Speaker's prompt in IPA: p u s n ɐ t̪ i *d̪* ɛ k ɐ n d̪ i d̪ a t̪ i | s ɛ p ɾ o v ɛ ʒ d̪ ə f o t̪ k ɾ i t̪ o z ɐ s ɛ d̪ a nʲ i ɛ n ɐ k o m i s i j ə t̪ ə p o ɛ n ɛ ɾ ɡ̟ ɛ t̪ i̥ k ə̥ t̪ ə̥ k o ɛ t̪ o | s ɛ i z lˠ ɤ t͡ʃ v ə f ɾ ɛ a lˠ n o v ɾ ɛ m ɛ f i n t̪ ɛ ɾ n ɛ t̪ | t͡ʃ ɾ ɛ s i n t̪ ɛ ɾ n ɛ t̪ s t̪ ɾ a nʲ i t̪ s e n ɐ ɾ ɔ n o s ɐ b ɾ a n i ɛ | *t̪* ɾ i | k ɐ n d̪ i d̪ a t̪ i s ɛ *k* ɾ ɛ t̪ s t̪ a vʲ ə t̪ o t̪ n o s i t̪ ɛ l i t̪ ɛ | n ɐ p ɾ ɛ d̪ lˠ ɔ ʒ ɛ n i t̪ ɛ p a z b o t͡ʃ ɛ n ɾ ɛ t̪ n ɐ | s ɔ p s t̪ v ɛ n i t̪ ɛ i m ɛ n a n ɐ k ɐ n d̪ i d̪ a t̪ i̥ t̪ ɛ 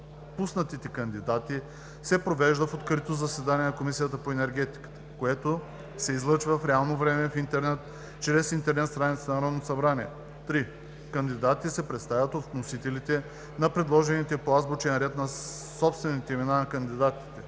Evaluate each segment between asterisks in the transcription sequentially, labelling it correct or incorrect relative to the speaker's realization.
incorrect: t̪, correct, incorrect: p

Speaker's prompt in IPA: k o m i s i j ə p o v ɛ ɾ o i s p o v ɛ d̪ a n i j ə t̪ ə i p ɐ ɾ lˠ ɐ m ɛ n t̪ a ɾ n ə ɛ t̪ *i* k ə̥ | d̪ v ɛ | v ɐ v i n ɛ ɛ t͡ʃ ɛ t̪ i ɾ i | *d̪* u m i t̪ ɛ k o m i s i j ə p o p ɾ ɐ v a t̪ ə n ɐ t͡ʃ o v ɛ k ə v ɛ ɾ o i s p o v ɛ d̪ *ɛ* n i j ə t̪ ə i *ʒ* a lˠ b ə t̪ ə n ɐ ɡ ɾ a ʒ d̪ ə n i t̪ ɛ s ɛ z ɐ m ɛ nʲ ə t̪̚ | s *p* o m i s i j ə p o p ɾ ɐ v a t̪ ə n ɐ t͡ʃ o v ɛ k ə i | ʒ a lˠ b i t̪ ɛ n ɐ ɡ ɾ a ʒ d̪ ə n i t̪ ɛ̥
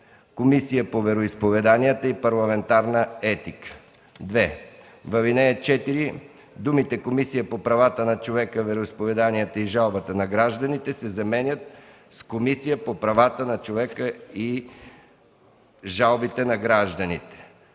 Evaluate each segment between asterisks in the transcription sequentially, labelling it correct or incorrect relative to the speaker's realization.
correct, correct, incorrect: a, correct, incorrect: k

